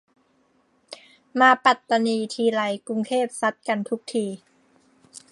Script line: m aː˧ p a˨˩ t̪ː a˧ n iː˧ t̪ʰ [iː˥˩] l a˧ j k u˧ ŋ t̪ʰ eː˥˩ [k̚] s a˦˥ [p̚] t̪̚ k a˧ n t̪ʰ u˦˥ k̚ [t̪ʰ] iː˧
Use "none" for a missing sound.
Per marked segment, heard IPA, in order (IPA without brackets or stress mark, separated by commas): iː˧, p̚, none, t̪ʰ